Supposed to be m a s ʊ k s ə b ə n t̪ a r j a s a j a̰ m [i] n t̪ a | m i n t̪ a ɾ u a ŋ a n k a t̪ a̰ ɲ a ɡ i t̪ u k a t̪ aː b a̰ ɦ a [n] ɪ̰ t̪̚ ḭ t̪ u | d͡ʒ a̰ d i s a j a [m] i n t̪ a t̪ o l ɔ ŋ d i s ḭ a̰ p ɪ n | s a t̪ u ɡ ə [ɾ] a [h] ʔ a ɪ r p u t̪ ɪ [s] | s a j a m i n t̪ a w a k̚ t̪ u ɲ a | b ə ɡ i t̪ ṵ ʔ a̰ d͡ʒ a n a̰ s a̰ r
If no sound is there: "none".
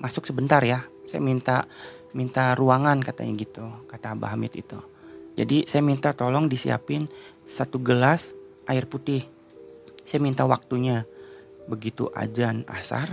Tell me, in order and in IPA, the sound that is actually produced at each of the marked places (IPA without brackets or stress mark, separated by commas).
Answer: i, m, m, l, s, h